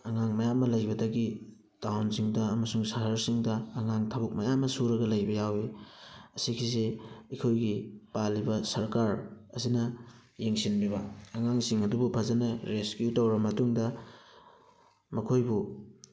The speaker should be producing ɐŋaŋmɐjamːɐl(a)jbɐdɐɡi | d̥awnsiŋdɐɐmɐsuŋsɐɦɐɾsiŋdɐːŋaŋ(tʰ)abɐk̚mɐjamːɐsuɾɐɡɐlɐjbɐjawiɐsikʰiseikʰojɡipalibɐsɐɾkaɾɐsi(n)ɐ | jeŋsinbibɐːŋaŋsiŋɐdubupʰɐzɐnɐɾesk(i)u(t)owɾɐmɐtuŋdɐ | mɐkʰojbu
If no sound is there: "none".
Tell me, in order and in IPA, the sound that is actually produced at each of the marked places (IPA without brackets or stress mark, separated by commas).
ɐ, tʰ, n, j, t